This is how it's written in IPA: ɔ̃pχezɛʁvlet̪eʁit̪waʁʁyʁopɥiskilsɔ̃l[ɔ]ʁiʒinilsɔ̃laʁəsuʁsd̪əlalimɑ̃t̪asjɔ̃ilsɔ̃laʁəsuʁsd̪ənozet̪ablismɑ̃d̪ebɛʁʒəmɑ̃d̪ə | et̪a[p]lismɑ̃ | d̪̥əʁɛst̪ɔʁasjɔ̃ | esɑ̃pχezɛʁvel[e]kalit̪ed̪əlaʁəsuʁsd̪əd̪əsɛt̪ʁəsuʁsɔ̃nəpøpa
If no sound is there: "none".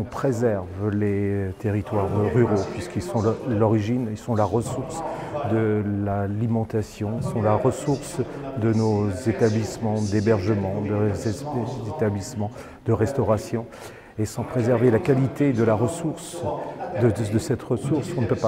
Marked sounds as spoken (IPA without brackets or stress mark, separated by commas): ɔ, b, a